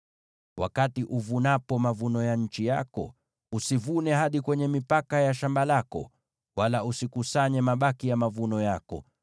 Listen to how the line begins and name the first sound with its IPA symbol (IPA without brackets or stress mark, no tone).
w